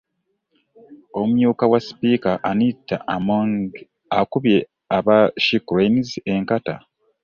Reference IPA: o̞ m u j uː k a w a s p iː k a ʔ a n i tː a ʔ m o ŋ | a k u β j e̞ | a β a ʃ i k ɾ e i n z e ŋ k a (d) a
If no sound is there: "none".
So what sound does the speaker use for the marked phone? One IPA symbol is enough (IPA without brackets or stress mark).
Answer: t